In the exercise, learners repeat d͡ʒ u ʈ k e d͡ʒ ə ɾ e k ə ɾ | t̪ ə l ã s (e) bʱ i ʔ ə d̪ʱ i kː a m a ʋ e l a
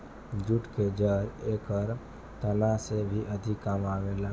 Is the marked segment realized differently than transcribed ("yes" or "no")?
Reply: no